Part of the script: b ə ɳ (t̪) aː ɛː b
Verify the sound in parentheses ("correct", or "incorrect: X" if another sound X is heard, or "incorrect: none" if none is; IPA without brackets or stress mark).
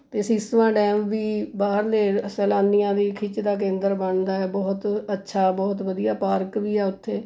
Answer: incorrect: d̪